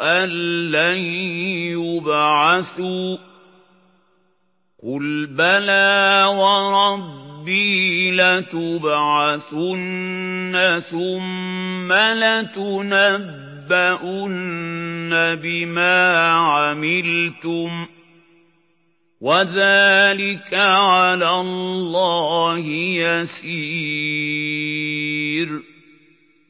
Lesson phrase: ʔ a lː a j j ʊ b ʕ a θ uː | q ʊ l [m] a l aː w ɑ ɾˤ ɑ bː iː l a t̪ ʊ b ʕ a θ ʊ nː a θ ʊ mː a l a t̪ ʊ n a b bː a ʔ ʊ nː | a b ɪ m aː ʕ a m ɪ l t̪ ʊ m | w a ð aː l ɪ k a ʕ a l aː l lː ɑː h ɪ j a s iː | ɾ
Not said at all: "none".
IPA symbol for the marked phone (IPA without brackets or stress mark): b